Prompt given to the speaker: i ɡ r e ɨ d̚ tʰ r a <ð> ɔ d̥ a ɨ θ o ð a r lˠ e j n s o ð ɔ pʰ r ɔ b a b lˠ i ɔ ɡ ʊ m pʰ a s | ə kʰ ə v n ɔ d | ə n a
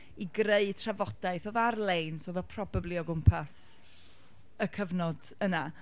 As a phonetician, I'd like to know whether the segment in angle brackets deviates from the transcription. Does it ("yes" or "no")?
yes